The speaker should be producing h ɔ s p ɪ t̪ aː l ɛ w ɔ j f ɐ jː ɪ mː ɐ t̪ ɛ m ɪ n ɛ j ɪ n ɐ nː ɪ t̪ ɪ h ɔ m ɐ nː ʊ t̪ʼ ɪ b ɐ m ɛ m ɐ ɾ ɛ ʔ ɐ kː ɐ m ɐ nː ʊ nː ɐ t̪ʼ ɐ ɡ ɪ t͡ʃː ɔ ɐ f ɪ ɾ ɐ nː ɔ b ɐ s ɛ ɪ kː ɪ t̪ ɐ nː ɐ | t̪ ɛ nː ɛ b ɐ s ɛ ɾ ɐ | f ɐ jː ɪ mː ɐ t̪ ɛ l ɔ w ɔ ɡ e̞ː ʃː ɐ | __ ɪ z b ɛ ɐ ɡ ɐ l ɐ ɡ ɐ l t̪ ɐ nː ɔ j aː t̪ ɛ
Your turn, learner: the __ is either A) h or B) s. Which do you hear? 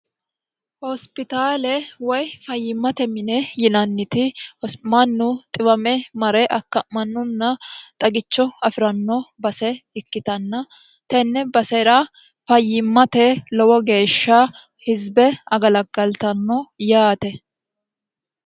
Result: A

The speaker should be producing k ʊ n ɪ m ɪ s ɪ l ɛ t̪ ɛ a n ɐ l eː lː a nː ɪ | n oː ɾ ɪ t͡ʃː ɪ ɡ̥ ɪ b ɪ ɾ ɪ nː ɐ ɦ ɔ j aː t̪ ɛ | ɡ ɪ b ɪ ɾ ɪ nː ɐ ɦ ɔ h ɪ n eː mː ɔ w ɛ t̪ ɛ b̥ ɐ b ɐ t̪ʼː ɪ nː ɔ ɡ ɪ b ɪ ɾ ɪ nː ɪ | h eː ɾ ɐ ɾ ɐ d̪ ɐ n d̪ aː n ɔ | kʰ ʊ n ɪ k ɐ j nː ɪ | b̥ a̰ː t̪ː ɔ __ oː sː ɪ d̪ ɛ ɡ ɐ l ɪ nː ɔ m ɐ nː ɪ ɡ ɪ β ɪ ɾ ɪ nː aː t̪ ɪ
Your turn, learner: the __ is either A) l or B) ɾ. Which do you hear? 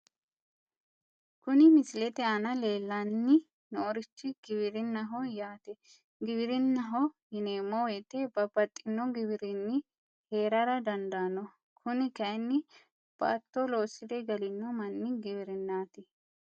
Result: A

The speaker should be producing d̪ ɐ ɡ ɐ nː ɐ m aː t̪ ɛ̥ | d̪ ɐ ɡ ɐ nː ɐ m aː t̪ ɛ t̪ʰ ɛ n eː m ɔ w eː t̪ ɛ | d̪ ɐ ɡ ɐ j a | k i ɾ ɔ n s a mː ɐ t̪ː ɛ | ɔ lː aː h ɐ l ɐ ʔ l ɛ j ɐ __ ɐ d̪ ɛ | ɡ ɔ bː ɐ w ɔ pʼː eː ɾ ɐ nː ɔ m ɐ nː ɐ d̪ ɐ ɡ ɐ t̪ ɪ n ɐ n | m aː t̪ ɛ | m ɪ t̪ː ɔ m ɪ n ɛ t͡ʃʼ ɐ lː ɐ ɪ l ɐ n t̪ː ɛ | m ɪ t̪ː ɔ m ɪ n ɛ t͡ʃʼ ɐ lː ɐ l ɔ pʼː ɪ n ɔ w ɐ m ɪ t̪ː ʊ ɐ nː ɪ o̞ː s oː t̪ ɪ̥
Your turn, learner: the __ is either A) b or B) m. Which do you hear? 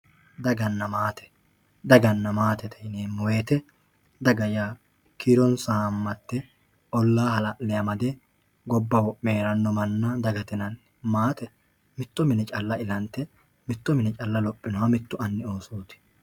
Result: B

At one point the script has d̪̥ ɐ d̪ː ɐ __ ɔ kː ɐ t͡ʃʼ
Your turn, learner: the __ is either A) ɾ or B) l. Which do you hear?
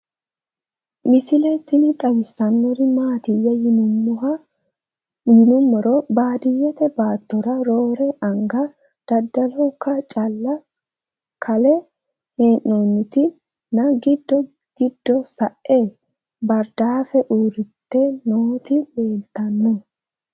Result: B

